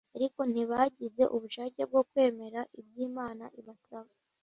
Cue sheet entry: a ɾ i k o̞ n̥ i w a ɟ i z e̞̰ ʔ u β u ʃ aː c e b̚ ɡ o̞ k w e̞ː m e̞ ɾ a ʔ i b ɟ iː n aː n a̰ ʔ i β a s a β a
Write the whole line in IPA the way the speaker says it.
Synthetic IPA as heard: a ɾ i k o̞ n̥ i β a ɟ i z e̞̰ ʔ u β u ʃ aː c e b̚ ɡ o̞ k w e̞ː m e̞ ɾ a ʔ i b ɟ iː m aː n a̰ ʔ i β a s a β a